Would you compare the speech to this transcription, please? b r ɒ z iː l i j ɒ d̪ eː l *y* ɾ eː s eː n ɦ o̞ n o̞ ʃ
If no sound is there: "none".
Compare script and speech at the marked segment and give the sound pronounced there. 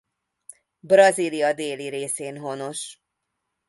i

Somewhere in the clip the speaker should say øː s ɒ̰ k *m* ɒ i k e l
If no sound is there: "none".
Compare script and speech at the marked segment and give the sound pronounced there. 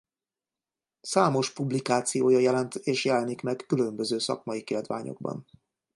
m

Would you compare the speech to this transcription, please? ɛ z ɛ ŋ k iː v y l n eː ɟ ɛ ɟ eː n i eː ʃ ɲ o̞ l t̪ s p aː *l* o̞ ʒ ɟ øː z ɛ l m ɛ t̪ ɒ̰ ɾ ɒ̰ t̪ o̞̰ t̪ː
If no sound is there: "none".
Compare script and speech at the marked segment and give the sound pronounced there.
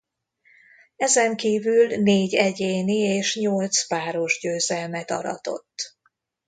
ɾ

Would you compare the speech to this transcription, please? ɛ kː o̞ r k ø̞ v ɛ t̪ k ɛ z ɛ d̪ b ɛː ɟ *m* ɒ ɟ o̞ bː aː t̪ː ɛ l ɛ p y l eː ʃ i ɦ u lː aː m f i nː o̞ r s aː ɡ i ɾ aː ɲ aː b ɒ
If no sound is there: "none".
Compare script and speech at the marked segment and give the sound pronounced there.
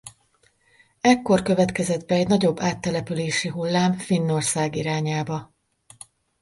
n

